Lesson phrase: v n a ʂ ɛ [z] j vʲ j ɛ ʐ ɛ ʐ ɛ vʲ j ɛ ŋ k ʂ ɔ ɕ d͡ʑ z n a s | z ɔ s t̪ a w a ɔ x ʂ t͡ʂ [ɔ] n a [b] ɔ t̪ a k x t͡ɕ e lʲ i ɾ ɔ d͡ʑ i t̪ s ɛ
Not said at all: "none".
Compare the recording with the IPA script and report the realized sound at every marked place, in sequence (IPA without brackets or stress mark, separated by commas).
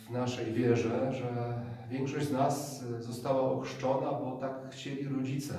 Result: none, ɔ, b